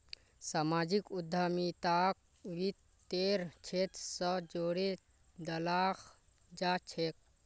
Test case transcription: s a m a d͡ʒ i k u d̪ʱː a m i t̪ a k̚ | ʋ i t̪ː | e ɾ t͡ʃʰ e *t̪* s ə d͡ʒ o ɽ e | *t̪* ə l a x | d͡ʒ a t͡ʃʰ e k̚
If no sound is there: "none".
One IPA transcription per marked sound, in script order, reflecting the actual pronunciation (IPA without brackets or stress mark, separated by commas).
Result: t̪, d̪